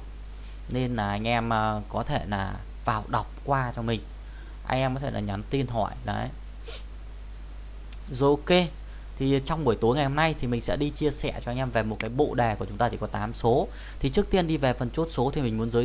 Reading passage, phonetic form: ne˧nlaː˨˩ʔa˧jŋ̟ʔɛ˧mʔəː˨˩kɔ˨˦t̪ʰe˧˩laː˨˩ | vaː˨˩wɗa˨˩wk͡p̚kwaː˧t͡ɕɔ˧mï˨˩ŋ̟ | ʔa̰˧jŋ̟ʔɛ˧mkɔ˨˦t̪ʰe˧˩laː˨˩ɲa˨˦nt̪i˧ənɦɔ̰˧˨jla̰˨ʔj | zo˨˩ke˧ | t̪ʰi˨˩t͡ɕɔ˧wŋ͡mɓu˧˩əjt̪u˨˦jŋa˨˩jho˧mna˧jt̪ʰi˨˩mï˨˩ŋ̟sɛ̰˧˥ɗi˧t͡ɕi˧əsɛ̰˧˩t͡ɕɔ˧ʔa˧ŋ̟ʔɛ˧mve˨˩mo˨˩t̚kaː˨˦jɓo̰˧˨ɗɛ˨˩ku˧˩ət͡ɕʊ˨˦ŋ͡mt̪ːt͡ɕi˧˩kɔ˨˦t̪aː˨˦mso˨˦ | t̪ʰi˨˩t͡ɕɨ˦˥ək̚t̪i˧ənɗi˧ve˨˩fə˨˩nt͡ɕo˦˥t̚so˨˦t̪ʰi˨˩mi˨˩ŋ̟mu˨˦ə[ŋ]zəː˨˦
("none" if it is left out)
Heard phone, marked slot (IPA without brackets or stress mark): n